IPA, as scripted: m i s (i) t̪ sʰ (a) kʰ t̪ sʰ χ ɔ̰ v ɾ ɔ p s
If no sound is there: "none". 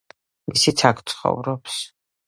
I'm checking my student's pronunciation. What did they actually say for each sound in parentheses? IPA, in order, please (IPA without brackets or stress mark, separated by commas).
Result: i, a